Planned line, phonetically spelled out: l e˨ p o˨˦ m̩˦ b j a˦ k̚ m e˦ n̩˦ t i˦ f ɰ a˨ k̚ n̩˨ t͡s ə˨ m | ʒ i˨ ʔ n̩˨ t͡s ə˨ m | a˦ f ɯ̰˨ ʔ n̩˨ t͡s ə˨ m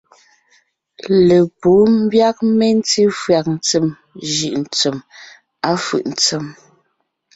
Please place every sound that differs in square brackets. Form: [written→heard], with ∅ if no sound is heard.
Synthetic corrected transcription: l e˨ p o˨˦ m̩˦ b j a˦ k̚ m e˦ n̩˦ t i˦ f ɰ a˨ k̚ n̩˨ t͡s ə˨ m | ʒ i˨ ʔ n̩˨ t͡s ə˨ m | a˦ f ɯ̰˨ ʔ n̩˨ t͡s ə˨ m